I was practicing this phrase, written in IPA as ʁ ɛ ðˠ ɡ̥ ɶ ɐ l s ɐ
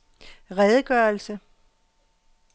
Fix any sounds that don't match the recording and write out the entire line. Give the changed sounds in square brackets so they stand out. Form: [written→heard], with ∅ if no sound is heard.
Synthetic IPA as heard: ʁ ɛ ðˠ ɡ̥ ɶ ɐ l s [ɐ→ə]

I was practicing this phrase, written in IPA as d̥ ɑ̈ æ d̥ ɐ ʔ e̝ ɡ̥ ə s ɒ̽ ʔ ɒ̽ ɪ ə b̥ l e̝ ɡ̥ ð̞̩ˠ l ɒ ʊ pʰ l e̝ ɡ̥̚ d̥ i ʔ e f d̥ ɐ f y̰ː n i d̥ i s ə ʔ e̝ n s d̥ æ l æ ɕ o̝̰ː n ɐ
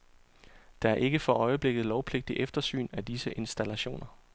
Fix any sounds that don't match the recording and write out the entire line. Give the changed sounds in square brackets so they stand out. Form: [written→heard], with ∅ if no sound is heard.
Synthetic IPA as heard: d̥ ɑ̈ æ [d̥→∅] ɐ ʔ e̝ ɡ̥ ə [s→f] ɒ̽ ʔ ɒ̽ ɪ ə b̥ l e̝ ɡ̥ ð̞̩ˠ l ɒ ʊ pʰ l e̝ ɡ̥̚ d̥ i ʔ e f d̥ ɐ [f→s] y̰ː n [i→æ] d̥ i s ə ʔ e̝ n s d̥ æ l æ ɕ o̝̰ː n ɐ

